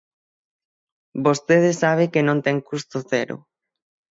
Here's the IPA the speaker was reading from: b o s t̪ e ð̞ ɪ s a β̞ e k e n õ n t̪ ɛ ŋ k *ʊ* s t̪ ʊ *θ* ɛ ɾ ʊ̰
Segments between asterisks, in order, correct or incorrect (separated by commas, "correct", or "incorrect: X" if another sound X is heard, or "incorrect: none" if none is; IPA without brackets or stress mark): incorrect: u, correct